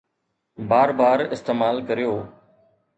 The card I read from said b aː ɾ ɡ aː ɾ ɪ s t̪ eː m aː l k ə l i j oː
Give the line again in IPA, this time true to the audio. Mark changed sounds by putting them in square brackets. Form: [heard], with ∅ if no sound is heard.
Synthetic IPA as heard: b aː ɾ [b] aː ɾ ɪ s t̪ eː m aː l k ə [ɾ] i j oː